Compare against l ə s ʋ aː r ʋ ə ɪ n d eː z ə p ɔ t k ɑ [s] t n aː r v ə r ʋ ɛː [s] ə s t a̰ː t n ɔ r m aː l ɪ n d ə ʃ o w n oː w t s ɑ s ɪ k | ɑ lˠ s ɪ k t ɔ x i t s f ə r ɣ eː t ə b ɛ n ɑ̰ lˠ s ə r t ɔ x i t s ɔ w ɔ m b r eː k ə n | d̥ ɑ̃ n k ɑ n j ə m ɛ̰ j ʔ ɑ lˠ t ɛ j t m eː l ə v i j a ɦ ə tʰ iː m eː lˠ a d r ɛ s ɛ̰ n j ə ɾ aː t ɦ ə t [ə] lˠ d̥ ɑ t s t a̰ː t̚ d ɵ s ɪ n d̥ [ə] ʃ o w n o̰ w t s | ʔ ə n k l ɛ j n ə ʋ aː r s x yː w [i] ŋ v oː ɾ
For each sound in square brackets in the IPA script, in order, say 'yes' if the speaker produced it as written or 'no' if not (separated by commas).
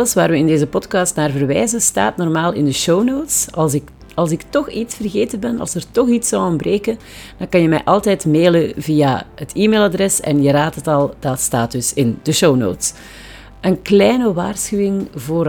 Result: yes, no, no, yes, no